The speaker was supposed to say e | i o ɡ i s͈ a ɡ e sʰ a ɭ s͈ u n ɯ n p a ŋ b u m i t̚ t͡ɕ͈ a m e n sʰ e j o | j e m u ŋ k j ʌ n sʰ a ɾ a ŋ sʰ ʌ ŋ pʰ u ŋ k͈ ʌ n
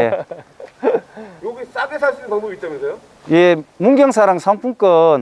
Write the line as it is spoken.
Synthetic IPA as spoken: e | j o ɡ i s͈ a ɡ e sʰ a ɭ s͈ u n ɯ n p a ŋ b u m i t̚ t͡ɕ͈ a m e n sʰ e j o | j e m u ŋ ɡ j ʌ ŋ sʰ a ɾ a ŋ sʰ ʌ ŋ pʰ u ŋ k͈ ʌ n